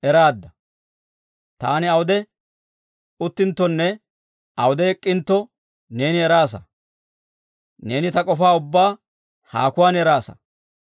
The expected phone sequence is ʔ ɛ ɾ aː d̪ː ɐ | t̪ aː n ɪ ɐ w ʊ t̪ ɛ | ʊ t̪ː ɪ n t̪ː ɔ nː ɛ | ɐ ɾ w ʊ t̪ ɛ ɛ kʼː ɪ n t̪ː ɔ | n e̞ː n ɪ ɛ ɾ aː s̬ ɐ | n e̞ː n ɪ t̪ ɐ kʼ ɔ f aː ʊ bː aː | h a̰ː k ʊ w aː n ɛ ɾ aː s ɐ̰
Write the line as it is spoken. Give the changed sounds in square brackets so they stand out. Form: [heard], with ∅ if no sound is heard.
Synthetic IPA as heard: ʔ ɛ ɾ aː d̪ː ɐ | t̪ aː n ɪ ɐ w ʊ [d̪] ɛ | ʊ t̪ː ɪ n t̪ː ɔ nː ɛ | ɐ [∅] w ʊ [d̪] ɛ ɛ kʼː ɪ n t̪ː ɔ | n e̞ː n ɪ ɛ ɾ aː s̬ ɐ | n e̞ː n ɪ t̪ ɐ kʼ ɔ f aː ʊ bː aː | h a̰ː k ʊ w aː n ɛ ɾ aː s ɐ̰